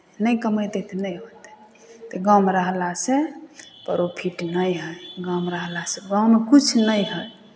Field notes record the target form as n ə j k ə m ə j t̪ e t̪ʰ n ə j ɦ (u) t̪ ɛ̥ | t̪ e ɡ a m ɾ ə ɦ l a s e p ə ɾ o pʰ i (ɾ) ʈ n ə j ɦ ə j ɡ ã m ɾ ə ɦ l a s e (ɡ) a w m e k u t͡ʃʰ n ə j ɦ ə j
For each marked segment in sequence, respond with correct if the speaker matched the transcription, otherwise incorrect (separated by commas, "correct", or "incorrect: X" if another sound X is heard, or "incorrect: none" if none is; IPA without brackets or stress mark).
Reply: incorrect: o, incorrect: none, correct